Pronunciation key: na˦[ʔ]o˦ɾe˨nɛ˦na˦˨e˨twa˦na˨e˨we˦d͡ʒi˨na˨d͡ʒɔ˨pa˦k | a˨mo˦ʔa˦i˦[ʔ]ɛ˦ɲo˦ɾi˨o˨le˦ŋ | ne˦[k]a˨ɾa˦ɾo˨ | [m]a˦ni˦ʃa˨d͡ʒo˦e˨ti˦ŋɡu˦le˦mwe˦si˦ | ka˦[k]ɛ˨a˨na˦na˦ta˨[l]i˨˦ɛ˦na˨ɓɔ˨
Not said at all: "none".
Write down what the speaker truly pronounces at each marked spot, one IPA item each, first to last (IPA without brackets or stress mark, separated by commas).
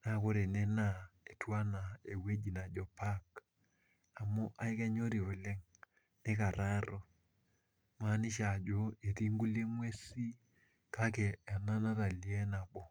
k, k, k, m, k, l